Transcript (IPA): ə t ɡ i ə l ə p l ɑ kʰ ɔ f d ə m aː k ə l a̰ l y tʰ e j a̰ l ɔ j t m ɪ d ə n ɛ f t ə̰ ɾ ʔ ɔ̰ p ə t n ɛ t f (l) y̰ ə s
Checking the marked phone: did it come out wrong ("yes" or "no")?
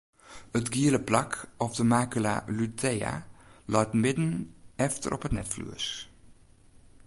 no